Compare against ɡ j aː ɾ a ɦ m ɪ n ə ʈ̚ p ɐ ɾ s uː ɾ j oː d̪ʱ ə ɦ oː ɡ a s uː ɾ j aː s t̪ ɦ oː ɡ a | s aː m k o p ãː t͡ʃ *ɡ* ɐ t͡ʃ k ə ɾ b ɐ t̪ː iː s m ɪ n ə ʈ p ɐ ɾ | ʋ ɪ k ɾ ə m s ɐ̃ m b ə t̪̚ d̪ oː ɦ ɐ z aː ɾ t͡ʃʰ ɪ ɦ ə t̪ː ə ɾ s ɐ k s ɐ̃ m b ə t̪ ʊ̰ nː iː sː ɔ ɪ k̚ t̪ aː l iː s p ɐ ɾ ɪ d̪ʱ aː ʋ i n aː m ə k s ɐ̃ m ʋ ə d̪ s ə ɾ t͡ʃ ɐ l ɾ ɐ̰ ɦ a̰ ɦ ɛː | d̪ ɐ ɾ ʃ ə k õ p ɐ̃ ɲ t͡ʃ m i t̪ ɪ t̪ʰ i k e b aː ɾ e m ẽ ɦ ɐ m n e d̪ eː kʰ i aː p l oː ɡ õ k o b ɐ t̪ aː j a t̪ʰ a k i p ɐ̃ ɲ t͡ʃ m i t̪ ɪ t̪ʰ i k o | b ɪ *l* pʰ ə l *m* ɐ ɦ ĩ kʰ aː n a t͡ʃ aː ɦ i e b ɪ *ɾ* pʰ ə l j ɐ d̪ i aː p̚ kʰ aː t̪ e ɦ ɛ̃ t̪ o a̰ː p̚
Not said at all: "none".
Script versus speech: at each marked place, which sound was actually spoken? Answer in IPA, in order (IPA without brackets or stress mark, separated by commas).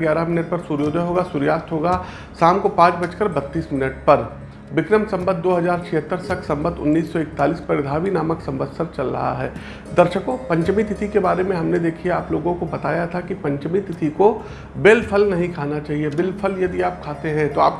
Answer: b, l, n, l